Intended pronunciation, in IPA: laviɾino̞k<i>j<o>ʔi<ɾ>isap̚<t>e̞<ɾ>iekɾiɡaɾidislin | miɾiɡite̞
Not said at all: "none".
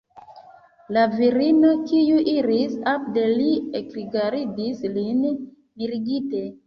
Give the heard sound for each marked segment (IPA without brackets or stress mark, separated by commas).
i, u, ɾ, d, l